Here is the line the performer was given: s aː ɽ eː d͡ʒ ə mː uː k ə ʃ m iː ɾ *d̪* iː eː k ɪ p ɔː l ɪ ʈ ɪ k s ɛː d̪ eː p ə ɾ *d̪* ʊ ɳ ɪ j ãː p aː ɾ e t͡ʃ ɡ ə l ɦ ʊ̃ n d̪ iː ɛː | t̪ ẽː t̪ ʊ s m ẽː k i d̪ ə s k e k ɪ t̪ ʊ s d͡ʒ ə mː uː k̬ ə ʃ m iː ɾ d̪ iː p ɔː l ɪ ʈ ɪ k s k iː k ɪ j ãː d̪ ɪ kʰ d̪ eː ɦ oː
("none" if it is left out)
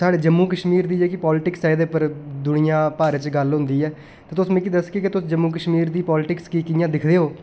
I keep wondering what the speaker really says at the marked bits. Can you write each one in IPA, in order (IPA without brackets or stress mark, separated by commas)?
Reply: d̪, d̪